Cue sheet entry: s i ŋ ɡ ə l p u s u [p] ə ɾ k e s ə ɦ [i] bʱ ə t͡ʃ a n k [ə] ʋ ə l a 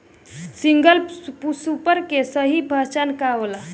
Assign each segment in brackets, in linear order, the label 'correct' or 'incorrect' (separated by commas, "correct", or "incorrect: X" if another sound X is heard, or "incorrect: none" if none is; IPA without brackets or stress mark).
correct, correct, incorrect: a